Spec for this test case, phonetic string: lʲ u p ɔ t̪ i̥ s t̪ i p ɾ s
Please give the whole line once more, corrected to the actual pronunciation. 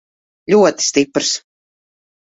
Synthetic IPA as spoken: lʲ u ɔ t̪ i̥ s t̪ i p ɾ s